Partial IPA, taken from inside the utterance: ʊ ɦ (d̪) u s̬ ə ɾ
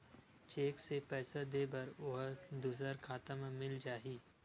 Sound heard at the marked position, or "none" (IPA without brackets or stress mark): d̪